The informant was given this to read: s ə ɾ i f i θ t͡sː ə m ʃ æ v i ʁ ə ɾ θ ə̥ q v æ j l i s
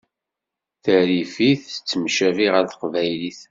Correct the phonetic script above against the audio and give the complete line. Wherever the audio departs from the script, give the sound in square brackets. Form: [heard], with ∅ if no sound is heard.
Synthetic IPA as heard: [θ] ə ɾ i f i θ t͡sː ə m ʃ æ v i ʁ ə ɾ θ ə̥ q v æ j l i [θ]